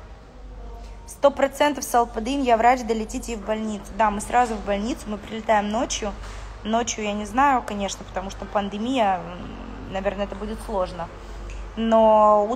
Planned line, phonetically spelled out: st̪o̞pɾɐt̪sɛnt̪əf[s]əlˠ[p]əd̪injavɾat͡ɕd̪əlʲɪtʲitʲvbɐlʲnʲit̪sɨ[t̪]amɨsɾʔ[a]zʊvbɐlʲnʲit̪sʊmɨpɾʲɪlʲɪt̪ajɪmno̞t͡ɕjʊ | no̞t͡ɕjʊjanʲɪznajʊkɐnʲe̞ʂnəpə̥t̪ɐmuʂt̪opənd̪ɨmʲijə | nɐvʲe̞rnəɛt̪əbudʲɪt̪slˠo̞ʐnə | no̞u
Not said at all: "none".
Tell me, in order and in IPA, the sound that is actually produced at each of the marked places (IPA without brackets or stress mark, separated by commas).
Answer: s, p, d̪, a